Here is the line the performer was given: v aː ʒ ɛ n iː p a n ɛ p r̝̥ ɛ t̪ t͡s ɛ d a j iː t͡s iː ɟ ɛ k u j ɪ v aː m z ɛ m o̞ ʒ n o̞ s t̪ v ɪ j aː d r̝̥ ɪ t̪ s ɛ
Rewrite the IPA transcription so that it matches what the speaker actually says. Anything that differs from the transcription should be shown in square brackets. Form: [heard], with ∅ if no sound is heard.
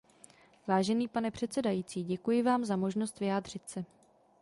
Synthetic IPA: v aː ʒ ɛ n iː p a n ɛ p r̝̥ ɛ t̪ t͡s ɛ d a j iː t͡s iː ɟ ɛ k u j ɪ v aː m z [a] m o̞ ʒ n o̞ s t̪ v ɪ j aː d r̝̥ ɪ t̪ s ɛ